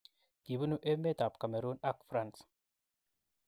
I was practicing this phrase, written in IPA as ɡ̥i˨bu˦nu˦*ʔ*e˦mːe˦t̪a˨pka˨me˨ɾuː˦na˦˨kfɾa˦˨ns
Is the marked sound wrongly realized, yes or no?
no